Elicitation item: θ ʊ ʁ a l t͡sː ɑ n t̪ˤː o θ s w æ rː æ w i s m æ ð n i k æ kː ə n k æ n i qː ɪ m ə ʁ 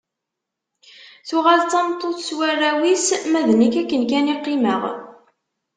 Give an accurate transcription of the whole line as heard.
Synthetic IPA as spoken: θ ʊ ʁ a l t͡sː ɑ m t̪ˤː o θ s w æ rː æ w i s m æ ð n i k æ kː ə n k æ n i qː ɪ m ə ʁ

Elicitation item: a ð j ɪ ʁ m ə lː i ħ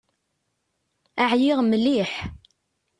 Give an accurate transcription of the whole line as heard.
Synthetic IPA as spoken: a ʕ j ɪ ʁ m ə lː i ħ

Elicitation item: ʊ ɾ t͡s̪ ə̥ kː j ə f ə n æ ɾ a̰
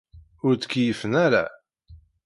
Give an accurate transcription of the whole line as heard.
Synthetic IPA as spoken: ʊ ɾ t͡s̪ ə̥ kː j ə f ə n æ ɾ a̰

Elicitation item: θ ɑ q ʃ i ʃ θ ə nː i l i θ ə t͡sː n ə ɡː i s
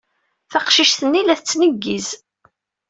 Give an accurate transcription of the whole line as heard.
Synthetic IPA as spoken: θ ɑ q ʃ i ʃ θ ə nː i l æ θ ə t͡sː n ə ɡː i z

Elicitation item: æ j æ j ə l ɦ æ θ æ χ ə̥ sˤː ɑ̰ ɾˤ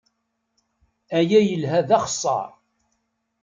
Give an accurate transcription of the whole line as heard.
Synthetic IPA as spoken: æ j æ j ə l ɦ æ ð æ χ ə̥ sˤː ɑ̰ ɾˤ

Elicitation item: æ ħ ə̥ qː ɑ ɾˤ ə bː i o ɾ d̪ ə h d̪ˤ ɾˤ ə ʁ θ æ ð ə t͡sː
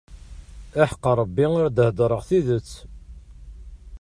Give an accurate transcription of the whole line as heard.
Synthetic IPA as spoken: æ ħ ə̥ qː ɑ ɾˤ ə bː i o ɾ d̪ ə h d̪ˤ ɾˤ ə ʁ θ i ð ə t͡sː

